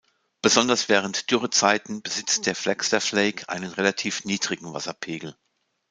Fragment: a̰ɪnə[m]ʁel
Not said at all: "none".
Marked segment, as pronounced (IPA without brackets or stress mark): n